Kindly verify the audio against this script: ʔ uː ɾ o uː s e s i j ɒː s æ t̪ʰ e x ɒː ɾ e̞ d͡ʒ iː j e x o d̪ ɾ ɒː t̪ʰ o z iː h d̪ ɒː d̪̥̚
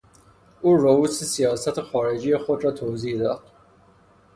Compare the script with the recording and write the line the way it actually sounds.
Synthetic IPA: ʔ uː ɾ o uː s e s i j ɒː s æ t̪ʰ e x ɒː ɾ e̞ d͡ʒ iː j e x o d̪ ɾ ɒː t̪ʰ o z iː h d̪ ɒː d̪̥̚